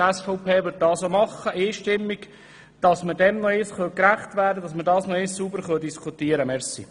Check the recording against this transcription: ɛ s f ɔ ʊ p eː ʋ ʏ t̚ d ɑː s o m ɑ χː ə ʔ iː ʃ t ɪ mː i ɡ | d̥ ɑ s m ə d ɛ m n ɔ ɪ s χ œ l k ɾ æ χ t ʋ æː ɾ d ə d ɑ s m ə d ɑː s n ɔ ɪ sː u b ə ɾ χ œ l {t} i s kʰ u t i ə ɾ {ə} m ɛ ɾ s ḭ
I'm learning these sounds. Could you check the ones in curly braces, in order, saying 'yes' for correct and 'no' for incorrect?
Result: no, yes

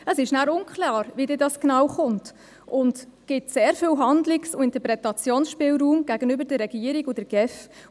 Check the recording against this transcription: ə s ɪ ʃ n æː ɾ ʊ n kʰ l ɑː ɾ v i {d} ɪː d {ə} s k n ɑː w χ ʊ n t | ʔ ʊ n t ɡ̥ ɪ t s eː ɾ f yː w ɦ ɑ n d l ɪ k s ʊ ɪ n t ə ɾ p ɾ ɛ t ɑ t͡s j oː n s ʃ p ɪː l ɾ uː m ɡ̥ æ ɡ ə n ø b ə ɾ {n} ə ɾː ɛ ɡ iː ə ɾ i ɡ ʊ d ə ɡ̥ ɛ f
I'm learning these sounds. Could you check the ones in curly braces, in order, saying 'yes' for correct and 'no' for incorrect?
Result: yes, no, no

